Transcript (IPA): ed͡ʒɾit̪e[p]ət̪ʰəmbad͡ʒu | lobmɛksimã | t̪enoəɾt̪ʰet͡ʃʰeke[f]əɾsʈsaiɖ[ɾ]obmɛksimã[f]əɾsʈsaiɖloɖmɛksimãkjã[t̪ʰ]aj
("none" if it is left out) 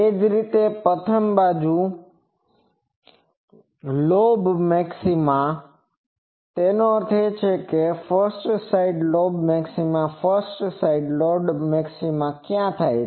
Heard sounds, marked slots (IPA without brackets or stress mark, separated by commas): p, f, l, f, t̪ʰ